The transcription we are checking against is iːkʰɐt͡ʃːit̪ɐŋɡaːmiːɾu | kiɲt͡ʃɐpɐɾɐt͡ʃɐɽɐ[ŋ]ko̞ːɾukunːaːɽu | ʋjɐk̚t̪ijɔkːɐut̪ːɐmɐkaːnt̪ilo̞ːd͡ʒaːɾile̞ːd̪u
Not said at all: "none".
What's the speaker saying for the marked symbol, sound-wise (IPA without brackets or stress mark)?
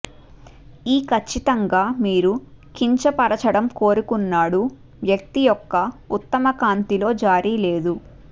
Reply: m